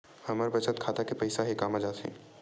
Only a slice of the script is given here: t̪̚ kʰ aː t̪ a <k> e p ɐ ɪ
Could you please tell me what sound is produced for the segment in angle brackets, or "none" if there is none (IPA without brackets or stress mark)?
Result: k